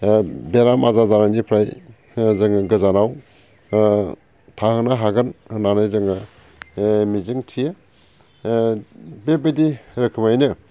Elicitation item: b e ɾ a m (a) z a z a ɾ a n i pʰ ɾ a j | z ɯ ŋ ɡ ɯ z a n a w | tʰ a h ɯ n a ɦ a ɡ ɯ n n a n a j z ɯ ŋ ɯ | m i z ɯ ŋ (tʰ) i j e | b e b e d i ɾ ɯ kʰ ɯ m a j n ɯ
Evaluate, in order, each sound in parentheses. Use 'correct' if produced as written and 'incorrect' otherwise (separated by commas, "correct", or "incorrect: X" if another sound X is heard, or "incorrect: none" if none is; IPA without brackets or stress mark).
correct, correct